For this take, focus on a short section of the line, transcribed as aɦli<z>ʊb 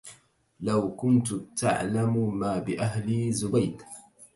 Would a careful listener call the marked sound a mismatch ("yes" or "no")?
no